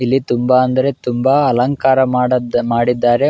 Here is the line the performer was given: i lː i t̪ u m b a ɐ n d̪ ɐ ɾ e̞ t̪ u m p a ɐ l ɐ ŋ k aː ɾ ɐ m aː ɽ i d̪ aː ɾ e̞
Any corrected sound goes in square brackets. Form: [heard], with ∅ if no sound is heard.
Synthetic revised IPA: i lː i t̪ u m b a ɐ n d̪ ɐ ɾ e̞ t̪ u m [b] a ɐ l ɐ ŋ k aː ɾ ɐ m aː ɽ i [d̪ː] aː ɾ e̞